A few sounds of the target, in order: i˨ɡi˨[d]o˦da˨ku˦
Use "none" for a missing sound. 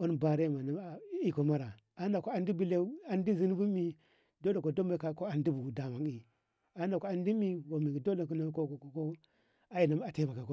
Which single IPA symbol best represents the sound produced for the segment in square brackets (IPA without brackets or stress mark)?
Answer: d